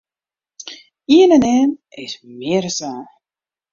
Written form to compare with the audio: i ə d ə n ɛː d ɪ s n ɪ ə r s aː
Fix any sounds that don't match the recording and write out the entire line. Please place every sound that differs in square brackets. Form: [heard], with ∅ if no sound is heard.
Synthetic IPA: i ə [n] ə n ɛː [n] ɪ s [m] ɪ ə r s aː